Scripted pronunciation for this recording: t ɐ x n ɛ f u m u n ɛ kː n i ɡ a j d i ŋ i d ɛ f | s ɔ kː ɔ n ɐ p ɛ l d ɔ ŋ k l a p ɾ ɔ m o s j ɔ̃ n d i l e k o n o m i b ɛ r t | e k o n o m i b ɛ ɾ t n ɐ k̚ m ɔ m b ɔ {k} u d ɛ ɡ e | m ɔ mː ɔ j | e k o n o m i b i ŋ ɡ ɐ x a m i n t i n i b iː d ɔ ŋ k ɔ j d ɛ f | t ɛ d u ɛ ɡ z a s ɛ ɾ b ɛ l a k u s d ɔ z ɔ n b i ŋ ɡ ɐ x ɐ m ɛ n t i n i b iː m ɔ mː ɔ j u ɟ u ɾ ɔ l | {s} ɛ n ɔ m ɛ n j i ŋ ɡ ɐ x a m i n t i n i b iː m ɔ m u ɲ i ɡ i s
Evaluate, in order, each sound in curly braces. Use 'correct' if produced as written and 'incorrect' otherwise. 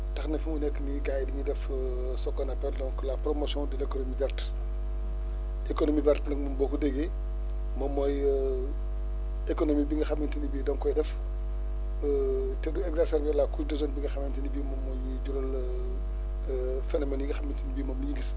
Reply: correct, incorrect: f

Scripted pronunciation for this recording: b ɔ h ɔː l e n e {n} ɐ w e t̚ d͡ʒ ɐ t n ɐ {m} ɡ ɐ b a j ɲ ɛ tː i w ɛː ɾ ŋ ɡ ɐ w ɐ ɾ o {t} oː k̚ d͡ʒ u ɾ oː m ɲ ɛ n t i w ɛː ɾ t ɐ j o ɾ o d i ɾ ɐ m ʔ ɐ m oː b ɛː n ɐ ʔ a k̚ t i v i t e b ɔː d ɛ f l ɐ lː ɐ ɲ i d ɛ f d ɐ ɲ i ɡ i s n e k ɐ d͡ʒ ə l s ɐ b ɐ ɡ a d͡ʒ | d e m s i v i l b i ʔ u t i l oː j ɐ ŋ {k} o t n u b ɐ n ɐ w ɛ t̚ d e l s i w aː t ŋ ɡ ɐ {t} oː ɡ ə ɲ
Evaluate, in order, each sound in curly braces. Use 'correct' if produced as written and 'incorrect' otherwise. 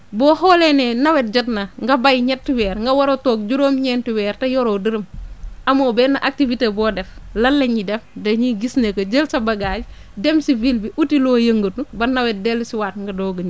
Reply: correct, incorrect: ŋ, correct, incorrect: ɡ, incorrect: d

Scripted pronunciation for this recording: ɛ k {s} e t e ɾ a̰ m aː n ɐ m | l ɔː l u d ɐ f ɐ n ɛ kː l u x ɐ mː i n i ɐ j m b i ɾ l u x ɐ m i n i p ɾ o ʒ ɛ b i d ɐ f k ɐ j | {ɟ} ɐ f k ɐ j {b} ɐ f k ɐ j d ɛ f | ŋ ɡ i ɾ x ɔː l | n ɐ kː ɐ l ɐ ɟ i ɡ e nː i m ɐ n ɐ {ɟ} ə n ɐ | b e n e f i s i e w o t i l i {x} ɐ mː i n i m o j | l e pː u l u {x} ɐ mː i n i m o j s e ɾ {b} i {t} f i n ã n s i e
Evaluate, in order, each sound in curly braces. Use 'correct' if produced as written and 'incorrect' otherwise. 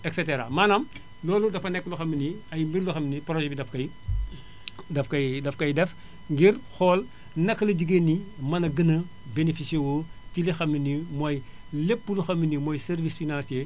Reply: correct, incorrect: d, incorrect: d, incorrect: ɡ, correct, correct, incorrect: v, incorrect: s

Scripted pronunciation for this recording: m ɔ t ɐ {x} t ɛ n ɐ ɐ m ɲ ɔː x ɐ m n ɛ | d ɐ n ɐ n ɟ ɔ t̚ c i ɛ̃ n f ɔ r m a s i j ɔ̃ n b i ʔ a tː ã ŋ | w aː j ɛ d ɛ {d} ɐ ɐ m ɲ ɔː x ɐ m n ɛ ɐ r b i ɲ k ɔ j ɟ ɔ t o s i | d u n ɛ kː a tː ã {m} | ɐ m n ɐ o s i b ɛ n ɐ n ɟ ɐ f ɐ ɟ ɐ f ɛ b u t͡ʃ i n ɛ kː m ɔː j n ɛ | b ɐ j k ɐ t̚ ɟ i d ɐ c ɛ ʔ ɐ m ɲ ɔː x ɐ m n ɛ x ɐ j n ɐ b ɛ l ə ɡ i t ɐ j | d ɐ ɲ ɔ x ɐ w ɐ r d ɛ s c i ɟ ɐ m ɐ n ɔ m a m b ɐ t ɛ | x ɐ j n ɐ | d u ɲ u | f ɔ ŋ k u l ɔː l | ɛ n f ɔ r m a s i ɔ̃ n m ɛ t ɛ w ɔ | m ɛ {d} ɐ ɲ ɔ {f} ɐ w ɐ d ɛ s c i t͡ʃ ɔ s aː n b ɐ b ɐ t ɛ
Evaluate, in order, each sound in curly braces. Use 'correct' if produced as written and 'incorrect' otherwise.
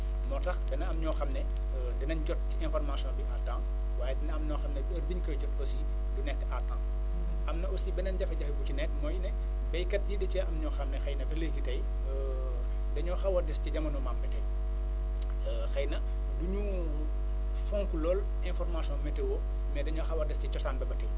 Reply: correct, incorrect: n, incorrect: ŋ, correct, incorrect: x

